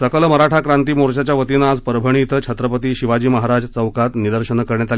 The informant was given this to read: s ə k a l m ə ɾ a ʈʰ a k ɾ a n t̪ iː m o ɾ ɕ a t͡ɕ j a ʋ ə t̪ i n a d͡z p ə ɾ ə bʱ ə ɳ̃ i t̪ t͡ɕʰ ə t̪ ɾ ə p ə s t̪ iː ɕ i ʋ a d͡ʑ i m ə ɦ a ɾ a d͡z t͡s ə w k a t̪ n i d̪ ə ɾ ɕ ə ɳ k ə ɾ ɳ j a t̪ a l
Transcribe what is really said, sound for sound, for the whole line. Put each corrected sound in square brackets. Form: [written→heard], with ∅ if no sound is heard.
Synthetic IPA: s ə k [a→ə] l m ə ɾ a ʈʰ a k ɾ a n t̪ iː m o ɾ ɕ a t͡ɕ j a ʋ ə t̪ i n a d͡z p ə ɾ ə bʱ ə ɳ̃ i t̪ t͡ɕʰ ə t̪ ɾ ə p ə [s→∅] t̪ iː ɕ i ʋ a d͡ʑ [i→iː] m ə ɦ a ɾ a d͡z t͡s ə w k a t̪ n i d̪ ə ɾ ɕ ə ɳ k ə ɾ ɳ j a t̪ a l